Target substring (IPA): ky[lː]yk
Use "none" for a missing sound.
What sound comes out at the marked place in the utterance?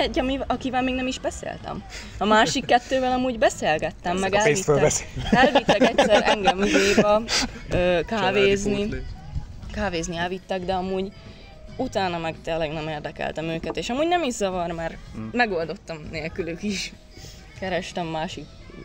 l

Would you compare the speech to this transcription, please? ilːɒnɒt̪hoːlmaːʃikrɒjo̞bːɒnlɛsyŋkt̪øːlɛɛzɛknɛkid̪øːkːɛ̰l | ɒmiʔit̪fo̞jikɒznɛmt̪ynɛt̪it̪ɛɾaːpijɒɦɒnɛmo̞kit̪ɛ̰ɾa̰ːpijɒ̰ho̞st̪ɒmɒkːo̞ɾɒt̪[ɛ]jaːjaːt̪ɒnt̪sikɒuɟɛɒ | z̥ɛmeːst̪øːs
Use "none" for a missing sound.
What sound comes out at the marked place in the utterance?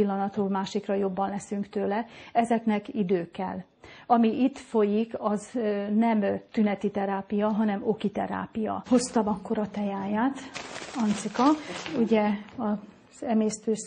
ɛ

